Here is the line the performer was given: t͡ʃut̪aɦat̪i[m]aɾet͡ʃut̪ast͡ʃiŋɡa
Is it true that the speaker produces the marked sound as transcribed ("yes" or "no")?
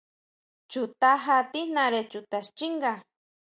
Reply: no